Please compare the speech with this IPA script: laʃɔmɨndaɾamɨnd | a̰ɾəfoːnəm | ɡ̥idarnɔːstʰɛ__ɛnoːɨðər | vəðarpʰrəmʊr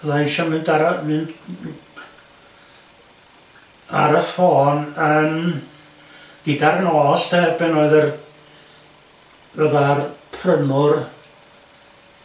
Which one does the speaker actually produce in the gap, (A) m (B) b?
B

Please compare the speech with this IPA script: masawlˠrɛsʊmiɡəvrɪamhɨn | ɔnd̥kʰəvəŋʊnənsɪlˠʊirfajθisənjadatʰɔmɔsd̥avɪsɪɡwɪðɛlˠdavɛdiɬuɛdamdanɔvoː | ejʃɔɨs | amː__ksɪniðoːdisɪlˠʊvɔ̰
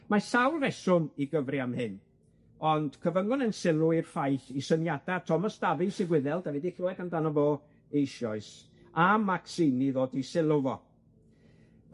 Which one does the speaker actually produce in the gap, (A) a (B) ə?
A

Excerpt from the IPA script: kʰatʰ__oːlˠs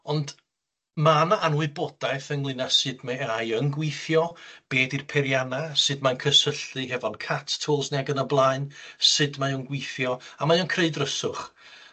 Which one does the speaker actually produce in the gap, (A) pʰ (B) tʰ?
B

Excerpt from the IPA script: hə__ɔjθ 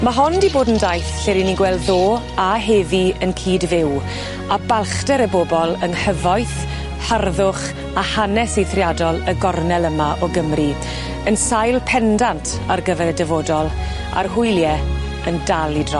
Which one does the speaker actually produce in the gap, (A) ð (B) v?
B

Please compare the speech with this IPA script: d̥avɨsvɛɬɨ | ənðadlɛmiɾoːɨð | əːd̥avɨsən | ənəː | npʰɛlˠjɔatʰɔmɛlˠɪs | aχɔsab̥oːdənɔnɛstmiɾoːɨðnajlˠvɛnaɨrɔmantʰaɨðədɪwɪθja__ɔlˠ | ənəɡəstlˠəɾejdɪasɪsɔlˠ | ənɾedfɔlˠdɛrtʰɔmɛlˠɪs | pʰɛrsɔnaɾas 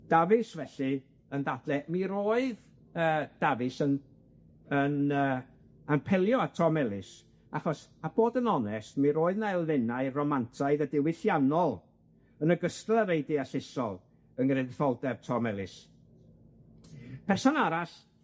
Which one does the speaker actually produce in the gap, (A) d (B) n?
B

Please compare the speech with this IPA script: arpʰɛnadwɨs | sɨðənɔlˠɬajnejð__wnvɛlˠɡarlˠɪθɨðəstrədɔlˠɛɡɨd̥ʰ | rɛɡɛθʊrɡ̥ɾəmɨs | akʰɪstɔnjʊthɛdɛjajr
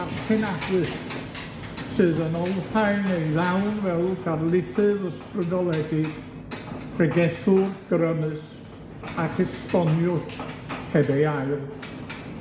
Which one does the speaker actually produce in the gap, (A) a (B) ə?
A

